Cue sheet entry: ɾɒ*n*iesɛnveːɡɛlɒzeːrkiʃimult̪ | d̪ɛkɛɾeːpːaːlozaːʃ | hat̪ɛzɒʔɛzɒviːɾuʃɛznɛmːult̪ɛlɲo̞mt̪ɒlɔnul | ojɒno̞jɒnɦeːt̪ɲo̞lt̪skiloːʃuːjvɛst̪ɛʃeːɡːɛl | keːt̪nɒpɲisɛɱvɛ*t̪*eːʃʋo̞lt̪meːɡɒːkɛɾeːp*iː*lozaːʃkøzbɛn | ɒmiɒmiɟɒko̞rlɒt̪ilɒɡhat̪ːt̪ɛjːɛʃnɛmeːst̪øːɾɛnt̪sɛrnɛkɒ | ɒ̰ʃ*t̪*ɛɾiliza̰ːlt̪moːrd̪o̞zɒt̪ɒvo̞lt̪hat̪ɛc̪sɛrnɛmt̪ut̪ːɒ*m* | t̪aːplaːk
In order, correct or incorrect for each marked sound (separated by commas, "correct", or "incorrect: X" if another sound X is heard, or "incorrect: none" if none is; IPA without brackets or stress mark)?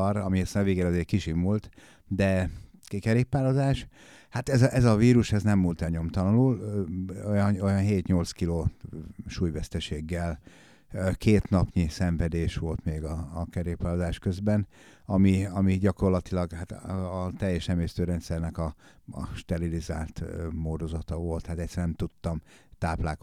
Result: incorrect: m, incorrect: d̪, incorrect: aː, correct, correct